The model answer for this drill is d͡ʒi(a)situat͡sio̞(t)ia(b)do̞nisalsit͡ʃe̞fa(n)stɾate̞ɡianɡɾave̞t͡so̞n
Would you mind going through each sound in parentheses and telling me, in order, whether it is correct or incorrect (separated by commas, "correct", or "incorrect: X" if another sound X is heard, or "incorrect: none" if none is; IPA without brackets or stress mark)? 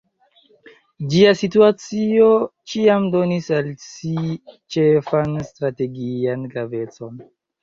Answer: correct, incorrect: t͡ʃ, incorrect: m, correct